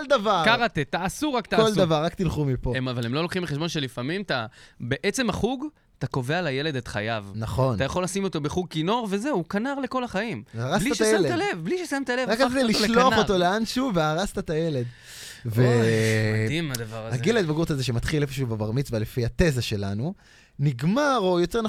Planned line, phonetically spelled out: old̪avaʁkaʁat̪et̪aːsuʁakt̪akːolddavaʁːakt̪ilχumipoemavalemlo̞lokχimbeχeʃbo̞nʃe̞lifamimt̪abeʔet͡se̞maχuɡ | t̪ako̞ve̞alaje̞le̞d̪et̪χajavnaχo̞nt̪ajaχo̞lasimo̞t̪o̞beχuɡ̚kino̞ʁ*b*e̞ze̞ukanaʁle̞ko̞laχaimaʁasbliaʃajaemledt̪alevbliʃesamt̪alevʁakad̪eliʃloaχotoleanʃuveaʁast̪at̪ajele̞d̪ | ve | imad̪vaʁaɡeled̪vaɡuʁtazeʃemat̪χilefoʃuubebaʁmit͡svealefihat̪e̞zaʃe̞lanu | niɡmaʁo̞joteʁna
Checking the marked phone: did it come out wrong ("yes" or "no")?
yes